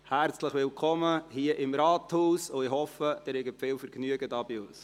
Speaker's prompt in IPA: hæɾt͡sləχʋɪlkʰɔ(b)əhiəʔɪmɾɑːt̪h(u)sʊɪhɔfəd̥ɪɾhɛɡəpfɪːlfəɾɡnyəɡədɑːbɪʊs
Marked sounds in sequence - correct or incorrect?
incorrect: m, incorrect: uː

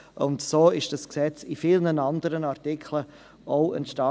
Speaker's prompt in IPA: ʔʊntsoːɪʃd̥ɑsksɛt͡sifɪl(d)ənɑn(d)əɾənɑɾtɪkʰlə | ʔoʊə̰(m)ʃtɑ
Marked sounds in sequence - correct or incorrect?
incorrect: n, correct, incorrect: n

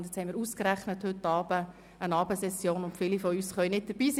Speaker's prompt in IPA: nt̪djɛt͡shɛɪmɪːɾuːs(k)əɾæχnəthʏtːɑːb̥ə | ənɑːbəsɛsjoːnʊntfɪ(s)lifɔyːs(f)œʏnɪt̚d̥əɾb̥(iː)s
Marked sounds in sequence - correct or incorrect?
correct, incorrect: none, incorrect: χ, correct

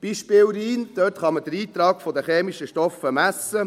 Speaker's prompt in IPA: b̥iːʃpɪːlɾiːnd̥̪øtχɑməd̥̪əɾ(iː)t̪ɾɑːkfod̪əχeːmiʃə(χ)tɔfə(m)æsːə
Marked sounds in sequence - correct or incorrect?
correct, incorrect: ʃ, correct

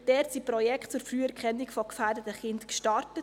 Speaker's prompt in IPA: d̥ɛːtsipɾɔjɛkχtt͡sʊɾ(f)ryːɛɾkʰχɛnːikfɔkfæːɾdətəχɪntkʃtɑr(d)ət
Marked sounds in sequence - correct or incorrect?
correct, incorrect: t

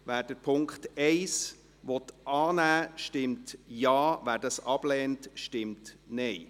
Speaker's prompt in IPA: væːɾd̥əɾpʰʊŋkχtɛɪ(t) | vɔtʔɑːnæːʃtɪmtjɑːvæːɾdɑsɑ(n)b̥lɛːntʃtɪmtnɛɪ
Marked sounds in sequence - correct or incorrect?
incorrect: s, incorrect: none

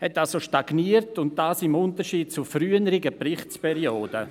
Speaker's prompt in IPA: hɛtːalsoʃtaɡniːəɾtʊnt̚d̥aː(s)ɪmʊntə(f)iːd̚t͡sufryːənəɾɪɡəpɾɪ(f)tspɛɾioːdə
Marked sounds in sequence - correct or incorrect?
correct, incorrect: ʃ, incorrect: χ

